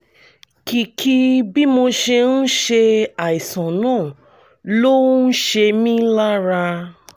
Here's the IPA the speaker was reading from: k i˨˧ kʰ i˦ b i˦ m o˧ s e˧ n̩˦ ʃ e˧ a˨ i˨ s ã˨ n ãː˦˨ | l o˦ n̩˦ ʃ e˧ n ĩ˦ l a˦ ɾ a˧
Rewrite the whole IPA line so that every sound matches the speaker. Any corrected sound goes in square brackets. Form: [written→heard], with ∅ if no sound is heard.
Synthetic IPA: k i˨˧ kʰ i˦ b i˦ m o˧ [s→ʃ] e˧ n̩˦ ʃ e˧ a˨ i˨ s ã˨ n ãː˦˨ | l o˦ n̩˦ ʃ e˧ [n→m] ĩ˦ l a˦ ɾ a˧